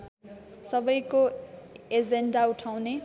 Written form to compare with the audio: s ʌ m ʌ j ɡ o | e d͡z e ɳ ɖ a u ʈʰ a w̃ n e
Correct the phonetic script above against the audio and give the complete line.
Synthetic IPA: s ʌ b ʌ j k o | e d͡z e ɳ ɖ a u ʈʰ a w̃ n e

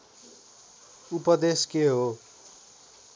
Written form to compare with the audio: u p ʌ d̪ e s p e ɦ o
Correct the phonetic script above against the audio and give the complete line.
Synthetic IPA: u p ʌ d̪ e s k e ɦ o

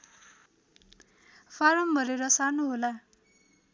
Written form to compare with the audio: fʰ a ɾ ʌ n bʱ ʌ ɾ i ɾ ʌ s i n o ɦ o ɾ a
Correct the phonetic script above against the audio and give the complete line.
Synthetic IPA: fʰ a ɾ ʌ m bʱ ʌ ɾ e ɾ ʌ s a n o ɦ o l a

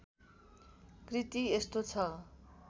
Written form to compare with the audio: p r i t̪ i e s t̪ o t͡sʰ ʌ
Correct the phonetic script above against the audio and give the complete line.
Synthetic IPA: k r i t̪ i e s t̪ o t͡sʰ ʌ

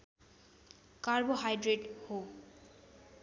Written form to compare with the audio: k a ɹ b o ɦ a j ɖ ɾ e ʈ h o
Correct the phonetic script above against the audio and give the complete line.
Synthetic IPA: k a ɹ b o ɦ a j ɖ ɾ e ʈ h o

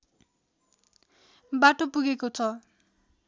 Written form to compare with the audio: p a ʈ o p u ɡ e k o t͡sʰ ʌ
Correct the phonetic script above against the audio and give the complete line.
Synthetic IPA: b a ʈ o p u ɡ e k o t͡sʰ ʌ

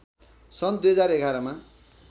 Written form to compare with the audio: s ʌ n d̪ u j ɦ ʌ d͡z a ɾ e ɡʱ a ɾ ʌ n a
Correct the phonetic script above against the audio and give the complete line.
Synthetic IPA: s ʌ n d̪ u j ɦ ʌ d͡z a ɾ e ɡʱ a ɾ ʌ m a

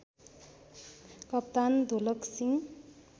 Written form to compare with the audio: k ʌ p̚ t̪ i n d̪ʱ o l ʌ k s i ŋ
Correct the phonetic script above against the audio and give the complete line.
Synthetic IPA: k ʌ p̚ t̪ a n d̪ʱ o l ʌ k s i ŋ

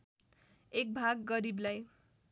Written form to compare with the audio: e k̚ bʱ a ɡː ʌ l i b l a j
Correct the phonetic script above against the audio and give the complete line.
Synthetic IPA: e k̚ bʱ a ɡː ʌ ɾ i b l a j

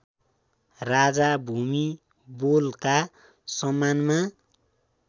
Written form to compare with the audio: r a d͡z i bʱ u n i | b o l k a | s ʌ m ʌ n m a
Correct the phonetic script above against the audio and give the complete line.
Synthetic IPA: r a d͡z a bʱ u m i | b o l k a | s ʌ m a n m a

